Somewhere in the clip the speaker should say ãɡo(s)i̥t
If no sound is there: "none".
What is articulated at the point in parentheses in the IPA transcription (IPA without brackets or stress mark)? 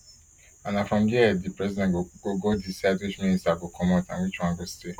s